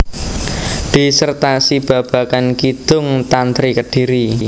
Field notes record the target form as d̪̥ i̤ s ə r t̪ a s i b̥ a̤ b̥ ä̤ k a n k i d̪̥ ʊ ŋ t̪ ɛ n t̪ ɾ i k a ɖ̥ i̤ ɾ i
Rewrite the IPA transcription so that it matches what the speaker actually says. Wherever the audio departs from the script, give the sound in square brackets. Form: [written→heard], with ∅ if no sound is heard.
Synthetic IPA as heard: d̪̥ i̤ s ə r t̪ a s i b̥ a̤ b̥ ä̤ k a n k i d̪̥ ʊ ŋ t̪ [ɛ→a] n t̪ ɾ i k [a→ə] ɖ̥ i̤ ɾ i